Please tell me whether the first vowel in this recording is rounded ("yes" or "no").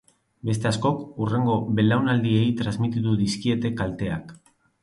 no